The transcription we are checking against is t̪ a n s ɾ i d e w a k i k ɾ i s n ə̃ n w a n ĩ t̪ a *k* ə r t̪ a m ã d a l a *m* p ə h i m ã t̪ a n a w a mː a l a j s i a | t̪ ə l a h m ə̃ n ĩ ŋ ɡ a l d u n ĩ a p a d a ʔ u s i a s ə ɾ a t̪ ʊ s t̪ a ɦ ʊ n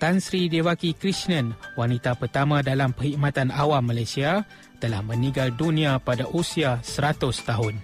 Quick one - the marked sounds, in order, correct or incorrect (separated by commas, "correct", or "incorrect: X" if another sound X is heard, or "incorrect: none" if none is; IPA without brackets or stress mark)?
incorrect: p, correct